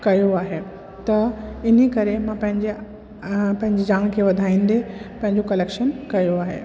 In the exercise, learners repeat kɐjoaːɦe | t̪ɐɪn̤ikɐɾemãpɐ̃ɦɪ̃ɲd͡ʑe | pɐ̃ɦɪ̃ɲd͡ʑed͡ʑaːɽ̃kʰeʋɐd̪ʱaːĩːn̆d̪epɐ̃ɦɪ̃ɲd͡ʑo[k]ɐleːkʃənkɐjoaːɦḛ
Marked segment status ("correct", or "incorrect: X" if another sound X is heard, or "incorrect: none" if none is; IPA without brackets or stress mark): correct